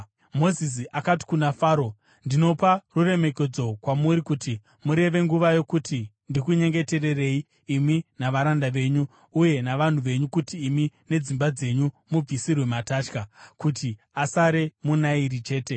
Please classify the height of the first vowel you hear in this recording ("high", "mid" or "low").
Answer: mid